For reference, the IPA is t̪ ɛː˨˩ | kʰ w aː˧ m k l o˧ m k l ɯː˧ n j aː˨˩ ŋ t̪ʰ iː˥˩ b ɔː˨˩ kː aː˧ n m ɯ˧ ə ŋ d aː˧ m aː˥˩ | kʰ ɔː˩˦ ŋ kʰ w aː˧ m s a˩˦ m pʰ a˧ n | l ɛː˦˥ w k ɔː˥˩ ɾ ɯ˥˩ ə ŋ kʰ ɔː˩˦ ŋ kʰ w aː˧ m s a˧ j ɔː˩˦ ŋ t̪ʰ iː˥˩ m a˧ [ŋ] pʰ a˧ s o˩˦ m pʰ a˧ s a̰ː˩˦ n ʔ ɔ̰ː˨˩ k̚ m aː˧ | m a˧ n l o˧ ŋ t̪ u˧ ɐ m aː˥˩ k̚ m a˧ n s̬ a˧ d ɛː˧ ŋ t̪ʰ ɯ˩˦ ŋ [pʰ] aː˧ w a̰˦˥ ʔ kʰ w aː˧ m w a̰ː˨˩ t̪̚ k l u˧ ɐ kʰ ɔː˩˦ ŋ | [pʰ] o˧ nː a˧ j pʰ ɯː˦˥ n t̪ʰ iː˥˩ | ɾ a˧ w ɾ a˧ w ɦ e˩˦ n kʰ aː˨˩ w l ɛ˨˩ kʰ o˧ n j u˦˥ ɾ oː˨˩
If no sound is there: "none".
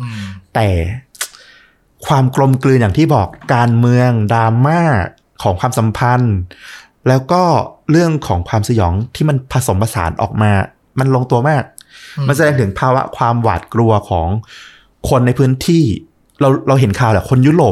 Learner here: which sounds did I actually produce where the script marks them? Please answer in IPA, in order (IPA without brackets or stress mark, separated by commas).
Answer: n, pʰ, kʰ